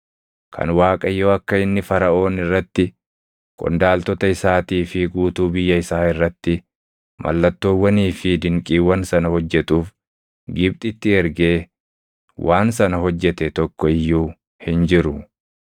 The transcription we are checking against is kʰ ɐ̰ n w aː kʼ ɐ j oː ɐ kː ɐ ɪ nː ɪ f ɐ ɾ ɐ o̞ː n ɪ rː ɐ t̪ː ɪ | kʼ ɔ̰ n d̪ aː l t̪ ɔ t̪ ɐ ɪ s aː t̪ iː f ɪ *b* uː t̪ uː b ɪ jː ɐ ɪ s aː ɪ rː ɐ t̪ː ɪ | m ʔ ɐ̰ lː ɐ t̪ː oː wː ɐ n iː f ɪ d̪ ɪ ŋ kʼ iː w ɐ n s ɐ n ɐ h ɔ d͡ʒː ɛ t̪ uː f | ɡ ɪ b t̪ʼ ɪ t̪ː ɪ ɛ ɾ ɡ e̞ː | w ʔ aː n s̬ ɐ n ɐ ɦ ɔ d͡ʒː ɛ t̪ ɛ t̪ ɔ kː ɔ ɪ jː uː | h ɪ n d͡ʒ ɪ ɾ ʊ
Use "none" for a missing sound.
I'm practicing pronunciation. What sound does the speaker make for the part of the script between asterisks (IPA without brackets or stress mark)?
ɡ